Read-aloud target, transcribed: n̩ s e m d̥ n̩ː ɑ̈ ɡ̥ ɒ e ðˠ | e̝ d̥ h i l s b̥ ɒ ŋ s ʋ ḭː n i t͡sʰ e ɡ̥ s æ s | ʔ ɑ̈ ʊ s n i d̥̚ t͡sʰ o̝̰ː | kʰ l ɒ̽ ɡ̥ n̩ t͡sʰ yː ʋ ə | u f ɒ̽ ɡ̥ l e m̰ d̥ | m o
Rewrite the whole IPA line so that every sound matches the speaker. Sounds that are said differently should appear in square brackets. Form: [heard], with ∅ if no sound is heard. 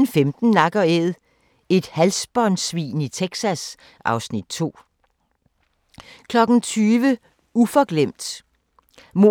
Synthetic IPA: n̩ [f] e m d̥ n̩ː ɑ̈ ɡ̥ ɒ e ðˠ | e̝ d̥ h [æ] l s b̥ ɒ [n] s ʋ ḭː n i t͡sʰ e ɡ̥ s æ s | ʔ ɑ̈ ʊ s n i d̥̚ t͡sʰ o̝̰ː | kʰ l ɒ̽ ɡ̥ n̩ t͡sʰ yː ʋ ə | u f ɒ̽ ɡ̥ l e m̰ d̥ | m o